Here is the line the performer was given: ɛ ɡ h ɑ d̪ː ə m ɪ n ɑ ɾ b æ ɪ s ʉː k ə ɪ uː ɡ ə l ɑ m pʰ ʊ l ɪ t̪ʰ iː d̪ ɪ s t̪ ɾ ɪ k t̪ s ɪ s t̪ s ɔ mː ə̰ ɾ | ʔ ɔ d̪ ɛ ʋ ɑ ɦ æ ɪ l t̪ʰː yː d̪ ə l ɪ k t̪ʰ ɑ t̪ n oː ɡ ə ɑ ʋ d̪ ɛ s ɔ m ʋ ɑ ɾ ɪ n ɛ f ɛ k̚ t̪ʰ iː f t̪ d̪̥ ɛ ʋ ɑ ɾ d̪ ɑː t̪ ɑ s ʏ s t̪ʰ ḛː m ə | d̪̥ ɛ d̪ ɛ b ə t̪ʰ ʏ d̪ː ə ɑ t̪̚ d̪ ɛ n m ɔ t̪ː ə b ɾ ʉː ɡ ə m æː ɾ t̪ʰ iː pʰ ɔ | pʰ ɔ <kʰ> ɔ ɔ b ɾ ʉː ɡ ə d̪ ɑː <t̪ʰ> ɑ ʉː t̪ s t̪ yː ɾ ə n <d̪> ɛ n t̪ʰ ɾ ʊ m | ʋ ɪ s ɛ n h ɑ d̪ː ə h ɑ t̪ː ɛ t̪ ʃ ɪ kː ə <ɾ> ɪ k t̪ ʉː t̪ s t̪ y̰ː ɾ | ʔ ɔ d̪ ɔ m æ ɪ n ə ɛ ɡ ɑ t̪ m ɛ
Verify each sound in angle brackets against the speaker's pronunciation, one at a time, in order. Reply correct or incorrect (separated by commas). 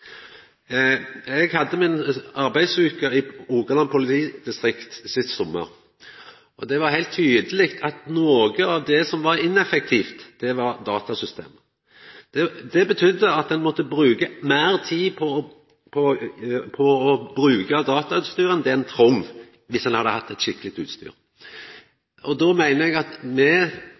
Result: incorrect, incorrect, correct, incorrect